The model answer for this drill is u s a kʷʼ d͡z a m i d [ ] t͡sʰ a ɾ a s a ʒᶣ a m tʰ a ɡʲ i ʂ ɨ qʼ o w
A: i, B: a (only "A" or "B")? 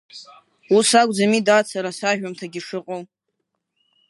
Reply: B